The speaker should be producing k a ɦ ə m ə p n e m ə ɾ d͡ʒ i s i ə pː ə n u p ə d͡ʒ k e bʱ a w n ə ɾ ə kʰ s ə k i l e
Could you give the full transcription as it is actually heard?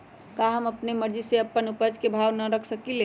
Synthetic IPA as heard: k a ɦ ə m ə p n e m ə ɾ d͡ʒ i s e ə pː ə n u p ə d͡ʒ k e bʱ a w n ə ɾ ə kʰ s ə k i l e